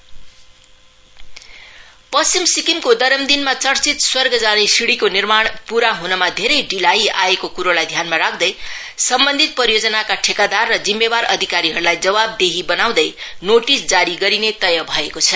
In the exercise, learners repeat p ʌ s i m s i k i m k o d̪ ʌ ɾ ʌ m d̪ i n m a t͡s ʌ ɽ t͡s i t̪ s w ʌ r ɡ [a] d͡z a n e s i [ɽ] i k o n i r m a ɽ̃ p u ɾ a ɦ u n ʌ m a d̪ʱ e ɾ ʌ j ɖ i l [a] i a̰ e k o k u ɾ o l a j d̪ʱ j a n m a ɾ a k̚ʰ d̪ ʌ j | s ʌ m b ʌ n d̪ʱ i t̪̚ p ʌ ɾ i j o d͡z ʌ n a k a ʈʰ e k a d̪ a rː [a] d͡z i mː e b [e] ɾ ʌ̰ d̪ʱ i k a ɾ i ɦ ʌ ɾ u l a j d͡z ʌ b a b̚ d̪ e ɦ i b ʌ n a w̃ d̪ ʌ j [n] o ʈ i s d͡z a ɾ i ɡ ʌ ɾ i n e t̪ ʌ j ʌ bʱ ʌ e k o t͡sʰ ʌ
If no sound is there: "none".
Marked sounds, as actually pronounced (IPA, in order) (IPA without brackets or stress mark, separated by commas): ʌ, ɽ, a, ʌ, a, n